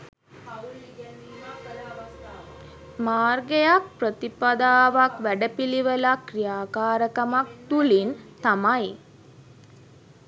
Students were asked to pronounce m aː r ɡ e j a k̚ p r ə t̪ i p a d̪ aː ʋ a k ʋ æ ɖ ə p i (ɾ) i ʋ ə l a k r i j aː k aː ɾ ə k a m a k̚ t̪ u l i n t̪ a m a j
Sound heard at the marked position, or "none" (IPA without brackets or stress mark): l